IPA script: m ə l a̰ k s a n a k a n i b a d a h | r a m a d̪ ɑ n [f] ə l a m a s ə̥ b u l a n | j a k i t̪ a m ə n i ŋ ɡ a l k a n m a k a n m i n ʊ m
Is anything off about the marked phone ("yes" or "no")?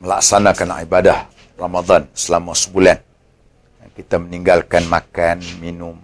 yes